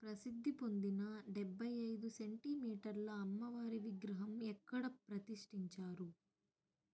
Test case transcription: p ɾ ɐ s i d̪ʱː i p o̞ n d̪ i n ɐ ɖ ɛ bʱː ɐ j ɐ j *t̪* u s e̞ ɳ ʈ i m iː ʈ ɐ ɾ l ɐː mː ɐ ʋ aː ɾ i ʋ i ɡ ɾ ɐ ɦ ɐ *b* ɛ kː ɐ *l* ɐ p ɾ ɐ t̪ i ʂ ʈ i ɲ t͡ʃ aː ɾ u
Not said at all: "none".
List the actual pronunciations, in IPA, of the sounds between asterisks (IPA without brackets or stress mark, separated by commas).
d̪, m, ɽ